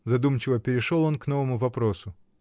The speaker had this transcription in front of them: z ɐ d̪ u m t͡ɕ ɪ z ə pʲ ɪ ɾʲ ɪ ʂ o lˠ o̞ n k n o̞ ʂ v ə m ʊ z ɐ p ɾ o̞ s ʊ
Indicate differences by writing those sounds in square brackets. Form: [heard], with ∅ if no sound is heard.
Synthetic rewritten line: z ɐ d̪ u m t͡ɕ ɪ [v] ə pʲ ɪ ɾʲ ɪ ʂ o lˠ o̞ n k n o̞ [∅] v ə m ʊ [v] ɐ p ɾ o̞ s ʊ